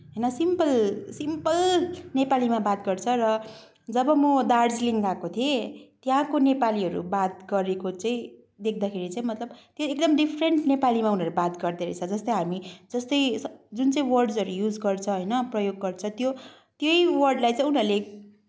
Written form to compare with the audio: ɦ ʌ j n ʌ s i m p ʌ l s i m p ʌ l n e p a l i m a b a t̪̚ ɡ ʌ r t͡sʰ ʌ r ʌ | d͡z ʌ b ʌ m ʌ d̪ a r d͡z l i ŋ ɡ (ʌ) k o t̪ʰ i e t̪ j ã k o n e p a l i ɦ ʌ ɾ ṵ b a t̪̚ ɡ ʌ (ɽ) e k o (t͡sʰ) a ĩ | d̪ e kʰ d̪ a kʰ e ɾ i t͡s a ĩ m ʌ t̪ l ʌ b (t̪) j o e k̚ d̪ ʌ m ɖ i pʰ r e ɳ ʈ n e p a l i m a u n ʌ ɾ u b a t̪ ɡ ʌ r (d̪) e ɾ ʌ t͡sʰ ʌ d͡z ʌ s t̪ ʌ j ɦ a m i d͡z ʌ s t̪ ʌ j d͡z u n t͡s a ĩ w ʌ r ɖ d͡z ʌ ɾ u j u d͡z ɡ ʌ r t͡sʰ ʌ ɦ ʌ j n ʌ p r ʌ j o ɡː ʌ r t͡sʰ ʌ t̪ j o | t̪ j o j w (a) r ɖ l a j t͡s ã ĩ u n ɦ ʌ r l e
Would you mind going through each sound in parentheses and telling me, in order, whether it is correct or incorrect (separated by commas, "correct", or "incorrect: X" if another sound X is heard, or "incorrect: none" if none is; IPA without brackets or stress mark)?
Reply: incorrect: a, incorrect: ɾ, incorrect: t͡s, correct, correct, incorrect: ʌ